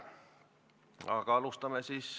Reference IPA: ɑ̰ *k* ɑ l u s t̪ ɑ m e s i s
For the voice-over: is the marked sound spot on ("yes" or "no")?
yes